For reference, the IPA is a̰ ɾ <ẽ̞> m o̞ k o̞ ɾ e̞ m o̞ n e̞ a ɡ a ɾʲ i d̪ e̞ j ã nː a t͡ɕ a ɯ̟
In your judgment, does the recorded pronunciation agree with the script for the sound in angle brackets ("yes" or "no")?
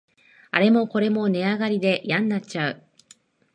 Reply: no